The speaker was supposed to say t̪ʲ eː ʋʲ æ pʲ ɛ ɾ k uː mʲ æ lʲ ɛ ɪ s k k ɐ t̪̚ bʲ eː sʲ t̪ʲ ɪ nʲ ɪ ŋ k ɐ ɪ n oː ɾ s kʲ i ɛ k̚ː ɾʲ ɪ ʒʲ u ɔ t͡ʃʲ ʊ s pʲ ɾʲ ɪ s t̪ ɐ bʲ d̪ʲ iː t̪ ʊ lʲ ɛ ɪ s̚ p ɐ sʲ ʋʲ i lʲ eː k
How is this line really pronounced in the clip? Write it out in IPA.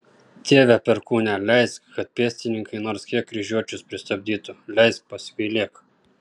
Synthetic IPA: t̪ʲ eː ʋʲ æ pʲ ɛ ɾ k uː nʲ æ lʲ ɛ ɪ s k k ɐ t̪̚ pʲ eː sʲ t̪ʲ ɪ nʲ ɪ ŋ k ɐ ɪ n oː ɾ s kʲ i ɛ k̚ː ɾʲ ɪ ʒʲ u ɔ t͡ʃʲ ʊ s pʲ ɾʲ ɪ s t̪ ɐ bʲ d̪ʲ iː t̪ ʊ lʲ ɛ ɪ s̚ p ɐ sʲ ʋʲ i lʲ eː k